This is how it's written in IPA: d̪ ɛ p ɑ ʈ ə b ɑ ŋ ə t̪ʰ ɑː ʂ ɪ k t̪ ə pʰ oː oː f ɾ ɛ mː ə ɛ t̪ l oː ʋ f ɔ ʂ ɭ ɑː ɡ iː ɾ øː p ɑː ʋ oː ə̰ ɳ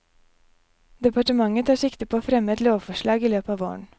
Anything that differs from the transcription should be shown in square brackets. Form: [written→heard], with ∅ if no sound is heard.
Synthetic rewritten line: d̪ ɛ p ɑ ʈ ə [b→m] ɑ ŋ ə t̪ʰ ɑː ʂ ɪ k t̪ ə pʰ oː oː f ɾ ɛ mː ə ɛ t̪ l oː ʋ f ɔ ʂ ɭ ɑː ɡ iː [ɾ→l] øː p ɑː ʋ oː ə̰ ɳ